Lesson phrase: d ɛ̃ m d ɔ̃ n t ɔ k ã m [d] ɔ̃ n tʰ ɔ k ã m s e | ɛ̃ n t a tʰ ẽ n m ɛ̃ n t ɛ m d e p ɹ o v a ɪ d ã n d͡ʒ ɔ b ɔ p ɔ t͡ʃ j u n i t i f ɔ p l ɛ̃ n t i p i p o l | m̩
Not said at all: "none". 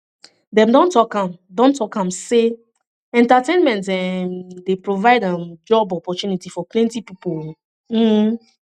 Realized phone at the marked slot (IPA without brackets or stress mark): d